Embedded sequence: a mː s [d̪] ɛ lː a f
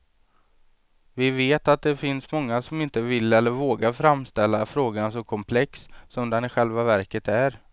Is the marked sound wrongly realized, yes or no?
yes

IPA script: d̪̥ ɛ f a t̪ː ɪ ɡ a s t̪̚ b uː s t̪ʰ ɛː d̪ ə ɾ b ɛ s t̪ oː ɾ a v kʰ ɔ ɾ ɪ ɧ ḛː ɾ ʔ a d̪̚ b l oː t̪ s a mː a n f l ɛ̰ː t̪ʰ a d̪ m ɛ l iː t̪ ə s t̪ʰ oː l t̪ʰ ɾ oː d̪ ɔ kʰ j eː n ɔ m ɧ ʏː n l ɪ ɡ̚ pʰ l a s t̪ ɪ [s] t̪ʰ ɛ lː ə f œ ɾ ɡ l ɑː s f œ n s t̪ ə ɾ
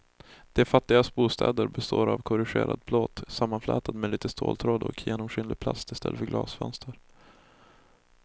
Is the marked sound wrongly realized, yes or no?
no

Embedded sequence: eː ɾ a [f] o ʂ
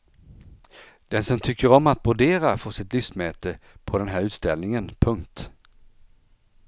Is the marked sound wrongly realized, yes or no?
no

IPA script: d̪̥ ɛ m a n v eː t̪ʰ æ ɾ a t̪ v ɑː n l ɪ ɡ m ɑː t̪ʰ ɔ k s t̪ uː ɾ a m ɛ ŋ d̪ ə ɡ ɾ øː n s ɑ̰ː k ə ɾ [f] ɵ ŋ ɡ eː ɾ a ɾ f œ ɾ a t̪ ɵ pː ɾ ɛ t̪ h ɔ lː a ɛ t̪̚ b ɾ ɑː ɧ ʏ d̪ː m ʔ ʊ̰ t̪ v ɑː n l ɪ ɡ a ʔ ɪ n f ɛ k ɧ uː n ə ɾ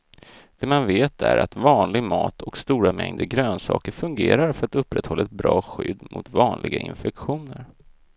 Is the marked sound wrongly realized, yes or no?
no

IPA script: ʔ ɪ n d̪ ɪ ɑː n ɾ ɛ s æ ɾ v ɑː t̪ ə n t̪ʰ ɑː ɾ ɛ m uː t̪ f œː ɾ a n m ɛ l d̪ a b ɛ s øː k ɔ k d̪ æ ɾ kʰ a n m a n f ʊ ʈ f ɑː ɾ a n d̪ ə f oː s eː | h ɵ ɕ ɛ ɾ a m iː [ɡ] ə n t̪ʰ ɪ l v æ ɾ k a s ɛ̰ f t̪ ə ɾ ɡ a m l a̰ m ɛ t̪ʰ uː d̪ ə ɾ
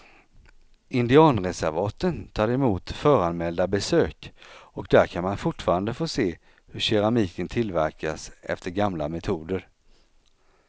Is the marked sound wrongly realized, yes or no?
yes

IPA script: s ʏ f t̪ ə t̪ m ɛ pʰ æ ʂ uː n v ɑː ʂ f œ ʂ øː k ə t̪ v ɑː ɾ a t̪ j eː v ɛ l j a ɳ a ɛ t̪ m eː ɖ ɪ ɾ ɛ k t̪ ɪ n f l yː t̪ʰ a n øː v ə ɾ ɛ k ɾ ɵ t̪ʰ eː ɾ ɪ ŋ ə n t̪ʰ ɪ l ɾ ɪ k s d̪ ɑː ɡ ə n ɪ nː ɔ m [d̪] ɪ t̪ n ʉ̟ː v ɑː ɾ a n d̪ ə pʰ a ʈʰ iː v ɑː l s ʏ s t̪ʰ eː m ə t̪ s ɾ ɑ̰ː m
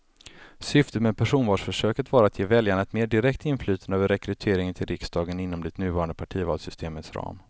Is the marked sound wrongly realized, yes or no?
no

